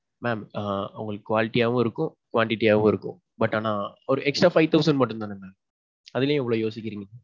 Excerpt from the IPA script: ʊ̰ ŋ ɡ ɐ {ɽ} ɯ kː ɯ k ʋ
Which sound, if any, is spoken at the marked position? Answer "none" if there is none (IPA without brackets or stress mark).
ɭ